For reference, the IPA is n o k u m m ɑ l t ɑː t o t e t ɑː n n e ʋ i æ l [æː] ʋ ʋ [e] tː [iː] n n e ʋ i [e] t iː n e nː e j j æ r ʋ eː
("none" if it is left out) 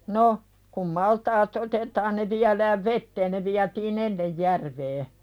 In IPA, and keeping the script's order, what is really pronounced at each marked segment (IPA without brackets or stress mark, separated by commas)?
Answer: æː, e, eː, æ